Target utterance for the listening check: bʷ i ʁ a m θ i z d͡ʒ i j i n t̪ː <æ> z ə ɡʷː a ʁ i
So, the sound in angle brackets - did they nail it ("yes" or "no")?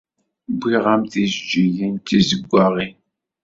no